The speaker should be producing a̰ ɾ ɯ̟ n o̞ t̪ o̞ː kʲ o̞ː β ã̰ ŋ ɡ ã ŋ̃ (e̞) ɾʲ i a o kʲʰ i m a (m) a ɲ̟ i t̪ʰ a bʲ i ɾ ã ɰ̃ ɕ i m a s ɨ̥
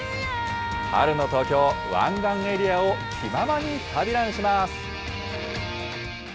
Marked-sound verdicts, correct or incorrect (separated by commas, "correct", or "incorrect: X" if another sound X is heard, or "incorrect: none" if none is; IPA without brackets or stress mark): correct, correct